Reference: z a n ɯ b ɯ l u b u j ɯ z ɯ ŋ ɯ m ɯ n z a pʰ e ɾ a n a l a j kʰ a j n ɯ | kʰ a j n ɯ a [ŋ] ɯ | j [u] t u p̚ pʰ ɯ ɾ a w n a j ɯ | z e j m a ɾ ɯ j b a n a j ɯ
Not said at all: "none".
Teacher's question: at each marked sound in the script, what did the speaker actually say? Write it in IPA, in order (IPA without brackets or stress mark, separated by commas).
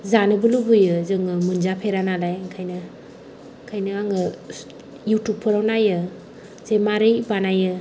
ŋ, u